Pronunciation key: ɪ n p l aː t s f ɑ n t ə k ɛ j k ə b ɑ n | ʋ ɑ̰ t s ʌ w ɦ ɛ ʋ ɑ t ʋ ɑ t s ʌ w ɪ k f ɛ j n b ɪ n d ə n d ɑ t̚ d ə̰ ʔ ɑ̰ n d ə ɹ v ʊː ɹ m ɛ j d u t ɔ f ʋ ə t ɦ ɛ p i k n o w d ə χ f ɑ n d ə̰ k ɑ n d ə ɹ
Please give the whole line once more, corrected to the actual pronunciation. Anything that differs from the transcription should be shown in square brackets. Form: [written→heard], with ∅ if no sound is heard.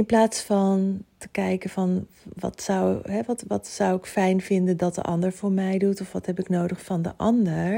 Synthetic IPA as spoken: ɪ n p l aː t s f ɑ n t ə k ɛ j k ə [b→v] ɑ n | ʋ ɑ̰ t s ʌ w ɦ ɛ ʋ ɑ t ʋ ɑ t s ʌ w ɪ k f ɛ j n [b→v] ɪ n d ə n d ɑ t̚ d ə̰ ʔ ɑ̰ n d ə ɹ v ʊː ɹ m ɛ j d u t ɔ f ʋ [ə→ɑ] t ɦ ɛ p [i→ɪ] k n o w d ə χ f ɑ n d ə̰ [k→ʔ] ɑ n d ə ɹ